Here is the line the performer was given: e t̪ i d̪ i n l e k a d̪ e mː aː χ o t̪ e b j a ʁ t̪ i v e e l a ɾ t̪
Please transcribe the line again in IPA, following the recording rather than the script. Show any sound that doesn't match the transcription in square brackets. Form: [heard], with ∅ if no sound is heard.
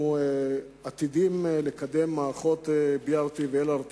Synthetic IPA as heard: [a] t̪ i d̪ i [m] l e k a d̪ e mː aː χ o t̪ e b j a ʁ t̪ i v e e l a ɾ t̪